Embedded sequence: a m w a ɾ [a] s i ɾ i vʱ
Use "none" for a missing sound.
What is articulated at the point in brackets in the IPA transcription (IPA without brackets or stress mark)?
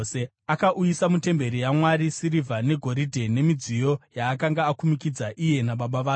i